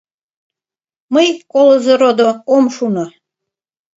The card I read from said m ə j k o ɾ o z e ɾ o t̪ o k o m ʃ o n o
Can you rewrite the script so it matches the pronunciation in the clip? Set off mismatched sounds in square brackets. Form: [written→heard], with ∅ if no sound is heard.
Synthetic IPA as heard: m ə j k o [ɾ→l] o z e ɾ o [t̪→d̪] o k o m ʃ [o→u] n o